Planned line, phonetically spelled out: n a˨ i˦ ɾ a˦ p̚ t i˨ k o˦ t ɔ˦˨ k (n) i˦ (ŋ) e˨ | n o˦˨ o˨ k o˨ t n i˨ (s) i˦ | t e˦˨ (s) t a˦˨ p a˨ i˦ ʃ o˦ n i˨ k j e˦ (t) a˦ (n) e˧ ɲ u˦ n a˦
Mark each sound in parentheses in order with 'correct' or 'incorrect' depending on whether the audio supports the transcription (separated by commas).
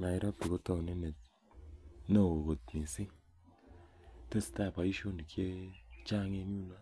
correct, incorrect, correct, correct, incorrect, incorrect